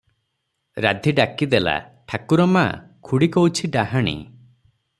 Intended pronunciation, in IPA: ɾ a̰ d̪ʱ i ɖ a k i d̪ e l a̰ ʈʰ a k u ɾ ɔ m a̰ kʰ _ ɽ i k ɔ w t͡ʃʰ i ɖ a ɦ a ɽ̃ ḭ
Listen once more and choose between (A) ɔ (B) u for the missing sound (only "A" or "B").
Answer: B